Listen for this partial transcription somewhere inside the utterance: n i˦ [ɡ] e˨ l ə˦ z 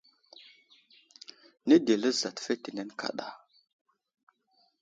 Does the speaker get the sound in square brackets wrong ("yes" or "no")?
yes